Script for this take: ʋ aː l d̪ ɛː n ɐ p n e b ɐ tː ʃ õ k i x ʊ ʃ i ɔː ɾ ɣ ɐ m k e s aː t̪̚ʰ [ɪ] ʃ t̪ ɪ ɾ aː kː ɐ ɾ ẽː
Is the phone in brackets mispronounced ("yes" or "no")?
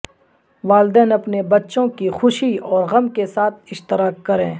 no